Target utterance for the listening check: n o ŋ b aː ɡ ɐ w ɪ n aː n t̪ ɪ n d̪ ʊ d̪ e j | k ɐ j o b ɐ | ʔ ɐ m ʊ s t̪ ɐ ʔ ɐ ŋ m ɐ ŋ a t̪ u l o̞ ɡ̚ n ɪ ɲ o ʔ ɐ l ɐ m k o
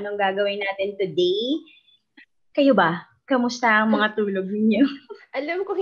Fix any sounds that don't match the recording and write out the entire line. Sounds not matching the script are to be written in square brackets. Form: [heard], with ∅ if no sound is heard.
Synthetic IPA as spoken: n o ŋ [ɡ] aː ɡ ɐ w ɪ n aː [∅] t̪ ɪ n [t̪] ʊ d̪ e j | k ɐ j o b ɐ | [k] ɐ m ʊ s t̪ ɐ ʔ ɐ ŋ m ɐ ŋ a t̪ [uː] l o̞ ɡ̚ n ɪ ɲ o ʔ ɐ l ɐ m k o